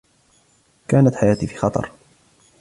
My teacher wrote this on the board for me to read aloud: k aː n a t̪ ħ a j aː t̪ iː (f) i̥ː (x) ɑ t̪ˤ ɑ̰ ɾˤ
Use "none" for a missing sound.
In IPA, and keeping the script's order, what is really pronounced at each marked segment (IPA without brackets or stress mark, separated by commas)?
f, x